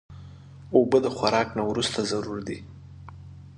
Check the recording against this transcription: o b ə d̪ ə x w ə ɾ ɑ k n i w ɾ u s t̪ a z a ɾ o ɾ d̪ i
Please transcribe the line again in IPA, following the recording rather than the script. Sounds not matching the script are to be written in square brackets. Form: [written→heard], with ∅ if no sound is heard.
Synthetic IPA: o b ə d̪ ə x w [ə→a] ɾ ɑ k n [i→a] w ɾ u s t̪ a z a ɾ [o→u] ɾ d̪ i